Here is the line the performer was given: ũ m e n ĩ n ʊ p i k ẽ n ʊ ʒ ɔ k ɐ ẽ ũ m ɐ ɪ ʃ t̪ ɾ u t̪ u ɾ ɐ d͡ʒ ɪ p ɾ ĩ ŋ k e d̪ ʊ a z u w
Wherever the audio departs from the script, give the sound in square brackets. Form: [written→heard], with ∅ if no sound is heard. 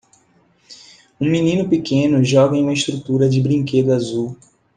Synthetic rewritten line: ũ m [e→i] n ĩ n ʊ p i k ẽ n ʊ ʒ ɔ [k→ɡ] ɐ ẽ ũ m ɐ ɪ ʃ t̪ ɾ u t̪ u ɾ ɐ d͡ʒ ɪ [p→b] ɾ ĩ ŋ k e d̪ ʊ a z u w